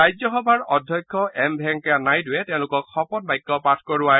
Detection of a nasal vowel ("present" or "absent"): present